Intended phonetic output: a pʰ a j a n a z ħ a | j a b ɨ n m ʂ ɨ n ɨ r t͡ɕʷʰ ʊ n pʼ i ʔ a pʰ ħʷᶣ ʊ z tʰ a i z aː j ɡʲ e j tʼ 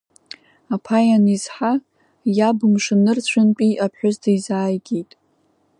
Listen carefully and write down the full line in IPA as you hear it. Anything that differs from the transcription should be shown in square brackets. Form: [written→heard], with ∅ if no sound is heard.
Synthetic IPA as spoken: a pʰ a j a n [a→i] z ħ a | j a b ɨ [n→∅] m ʂ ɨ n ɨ r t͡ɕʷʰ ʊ n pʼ i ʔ a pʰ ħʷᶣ ʊ z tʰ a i z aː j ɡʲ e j tʼ